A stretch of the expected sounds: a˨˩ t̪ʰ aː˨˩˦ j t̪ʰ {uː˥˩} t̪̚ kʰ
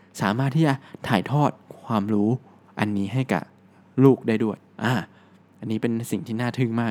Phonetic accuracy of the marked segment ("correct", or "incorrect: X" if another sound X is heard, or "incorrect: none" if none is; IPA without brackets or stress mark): incorrect: ɔː˥˩